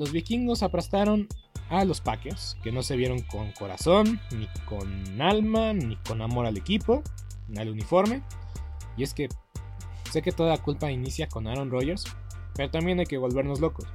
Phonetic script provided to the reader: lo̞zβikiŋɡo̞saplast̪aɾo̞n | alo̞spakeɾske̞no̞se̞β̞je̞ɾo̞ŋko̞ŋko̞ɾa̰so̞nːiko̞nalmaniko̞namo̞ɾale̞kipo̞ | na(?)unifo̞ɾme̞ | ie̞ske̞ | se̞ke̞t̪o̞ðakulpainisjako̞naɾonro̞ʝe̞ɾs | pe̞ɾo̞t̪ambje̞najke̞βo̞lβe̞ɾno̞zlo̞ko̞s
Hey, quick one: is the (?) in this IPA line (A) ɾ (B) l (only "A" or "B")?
B